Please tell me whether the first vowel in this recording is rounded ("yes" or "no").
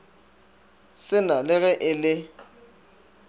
no